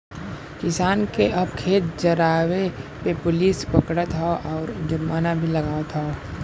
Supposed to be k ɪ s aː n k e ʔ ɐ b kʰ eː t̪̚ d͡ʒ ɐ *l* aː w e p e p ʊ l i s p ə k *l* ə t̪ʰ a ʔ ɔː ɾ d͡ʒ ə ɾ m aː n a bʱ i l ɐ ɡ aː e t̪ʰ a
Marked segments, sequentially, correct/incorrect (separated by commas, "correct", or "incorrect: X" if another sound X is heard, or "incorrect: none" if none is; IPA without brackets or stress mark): incorrect: ɾ, incorrect: ɽ